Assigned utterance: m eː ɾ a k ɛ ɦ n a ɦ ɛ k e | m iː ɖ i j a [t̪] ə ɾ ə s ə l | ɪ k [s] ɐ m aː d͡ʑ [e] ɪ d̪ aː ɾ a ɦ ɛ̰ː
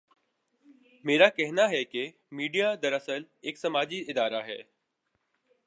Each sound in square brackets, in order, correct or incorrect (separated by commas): incorrect, correct, incorrect